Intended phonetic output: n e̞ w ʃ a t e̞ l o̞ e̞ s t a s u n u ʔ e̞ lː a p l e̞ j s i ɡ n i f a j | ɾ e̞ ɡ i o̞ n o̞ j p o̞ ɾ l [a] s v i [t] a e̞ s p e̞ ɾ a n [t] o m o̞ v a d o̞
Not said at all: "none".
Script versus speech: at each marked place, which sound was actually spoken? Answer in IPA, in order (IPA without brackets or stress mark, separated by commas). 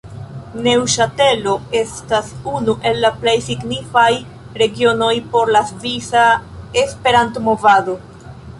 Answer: a, s, t